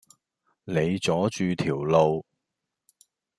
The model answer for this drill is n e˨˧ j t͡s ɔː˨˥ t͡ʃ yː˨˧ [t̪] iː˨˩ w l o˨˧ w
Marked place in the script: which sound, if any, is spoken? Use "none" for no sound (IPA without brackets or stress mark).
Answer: t̪ʰ